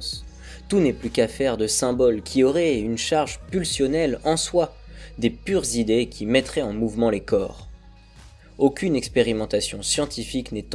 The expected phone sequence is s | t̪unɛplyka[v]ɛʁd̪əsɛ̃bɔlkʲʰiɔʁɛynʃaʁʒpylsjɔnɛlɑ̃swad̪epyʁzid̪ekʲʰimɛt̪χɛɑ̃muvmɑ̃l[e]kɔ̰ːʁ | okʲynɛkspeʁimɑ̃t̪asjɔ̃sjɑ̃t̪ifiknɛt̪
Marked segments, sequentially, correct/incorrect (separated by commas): incorrect, correct